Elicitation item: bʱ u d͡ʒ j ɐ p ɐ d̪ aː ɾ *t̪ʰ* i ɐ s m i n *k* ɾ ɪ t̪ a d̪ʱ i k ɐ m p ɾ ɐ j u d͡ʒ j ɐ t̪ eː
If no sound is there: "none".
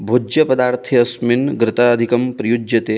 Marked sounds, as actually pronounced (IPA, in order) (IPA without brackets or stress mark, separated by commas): t̪ʰ, ɡ